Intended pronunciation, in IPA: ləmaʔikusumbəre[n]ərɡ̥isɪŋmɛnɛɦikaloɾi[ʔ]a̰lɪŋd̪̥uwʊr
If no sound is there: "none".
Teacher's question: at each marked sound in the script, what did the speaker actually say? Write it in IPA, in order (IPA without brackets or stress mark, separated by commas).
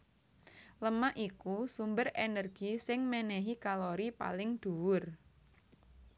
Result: n, p